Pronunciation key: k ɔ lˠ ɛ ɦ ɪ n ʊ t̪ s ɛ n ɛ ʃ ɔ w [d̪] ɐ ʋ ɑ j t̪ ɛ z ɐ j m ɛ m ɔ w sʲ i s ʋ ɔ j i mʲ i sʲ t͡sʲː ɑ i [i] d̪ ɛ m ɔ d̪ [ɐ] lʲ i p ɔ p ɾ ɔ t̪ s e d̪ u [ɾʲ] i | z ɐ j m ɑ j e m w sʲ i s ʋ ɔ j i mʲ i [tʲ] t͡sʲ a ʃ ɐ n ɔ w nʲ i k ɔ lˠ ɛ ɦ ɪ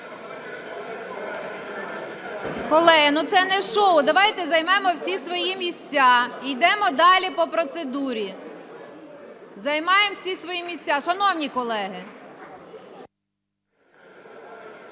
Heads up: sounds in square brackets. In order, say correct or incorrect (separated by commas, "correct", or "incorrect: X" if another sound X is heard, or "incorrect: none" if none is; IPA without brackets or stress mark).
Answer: correct, incorrect: j, incorrect: ɑ, correct, incorrect: sʲ